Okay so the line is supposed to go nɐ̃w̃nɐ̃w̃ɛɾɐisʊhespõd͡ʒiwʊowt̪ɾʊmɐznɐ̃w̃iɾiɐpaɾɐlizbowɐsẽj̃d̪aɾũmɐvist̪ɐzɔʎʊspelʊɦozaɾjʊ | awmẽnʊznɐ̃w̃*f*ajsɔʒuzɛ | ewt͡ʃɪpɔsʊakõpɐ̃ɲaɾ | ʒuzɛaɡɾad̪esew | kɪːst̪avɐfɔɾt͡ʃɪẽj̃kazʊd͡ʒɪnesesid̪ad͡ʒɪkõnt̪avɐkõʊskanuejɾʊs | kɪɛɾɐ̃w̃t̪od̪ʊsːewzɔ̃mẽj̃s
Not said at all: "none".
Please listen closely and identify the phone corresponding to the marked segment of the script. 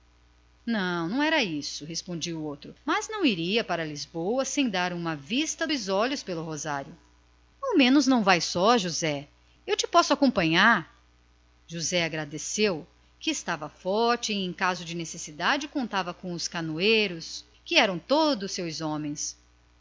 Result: v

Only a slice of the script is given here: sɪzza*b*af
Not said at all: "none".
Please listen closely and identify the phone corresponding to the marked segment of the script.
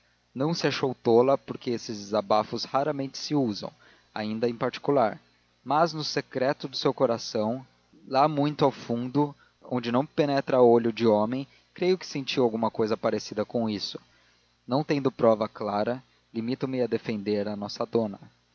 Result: b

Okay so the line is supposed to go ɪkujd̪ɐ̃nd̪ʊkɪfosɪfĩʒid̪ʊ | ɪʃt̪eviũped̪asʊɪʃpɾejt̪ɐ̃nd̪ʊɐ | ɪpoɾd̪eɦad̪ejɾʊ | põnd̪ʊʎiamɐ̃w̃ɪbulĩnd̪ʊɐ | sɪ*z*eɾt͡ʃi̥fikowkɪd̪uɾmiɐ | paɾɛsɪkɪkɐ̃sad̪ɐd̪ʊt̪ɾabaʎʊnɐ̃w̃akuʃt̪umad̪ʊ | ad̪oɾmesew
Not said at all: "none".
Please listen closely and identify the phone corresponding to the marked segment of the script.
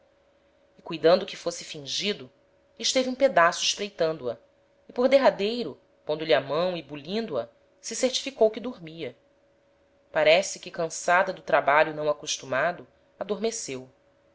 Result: s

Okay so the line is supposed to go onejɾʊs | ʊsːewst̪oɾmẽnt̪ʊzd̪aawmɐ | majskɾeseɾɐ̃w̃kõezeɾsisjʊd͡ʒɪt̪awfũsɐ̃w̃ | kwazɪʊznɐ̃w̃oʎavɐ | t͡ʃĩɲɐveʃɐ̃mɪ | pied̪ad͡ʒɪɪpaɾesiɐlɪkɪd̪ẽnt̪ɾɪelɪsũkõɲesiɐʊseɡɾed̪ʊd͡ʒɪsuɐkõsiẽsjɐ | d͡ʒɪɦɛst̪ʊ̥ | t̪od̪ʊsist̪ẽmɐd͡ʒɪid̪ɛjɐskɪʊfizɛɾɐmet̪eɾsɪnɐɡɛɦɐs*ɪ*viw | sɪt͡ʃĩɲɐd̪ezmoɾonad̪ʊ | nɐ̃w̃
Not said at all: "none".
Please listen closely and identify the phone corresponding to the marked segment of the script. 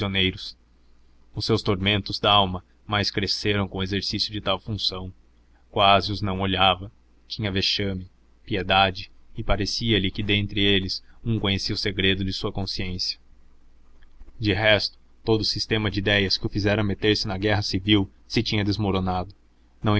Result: i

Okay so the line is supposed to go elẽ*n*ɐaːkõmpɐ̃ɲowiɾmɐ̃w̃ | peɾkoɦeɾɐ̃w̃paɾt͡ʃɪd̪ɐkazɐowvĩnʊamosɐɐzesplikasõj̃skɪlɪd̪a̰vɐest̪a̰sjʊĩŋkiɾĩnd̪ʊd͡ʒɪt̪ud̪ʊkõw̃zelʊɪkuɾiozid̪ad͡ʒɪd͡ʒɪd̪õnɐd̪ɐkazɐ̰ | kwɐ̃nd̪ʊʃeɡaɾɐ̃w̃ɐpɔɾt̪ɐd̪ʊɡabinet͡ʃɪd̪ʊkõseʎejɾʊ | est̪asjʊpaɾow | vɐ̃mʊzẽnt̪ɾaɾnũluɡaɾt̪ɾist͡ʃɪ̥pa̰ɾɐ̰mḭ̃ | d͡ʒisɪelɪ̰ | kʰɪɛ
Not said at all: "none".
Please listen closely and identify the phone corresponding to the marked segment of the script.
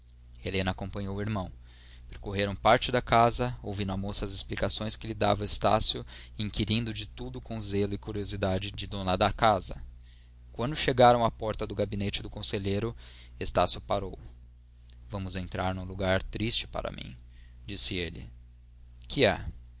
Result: n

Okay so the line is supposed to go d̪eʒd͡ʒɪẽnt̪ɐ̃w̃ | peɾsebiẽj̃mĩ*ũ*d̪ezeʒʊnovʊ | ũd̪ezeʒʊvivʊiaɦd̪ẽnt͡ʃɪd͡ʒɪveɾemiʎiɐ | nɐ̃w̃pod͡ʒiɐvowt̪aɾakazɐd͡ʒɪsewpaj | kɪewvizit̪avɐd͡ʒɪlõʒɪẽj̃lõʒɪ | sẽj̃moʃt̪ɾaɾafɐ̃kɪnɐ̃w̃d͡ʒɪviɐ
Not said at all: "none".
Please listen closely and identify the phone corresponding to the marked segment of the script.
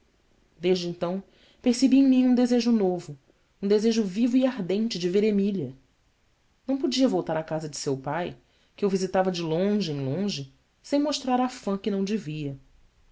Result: ũ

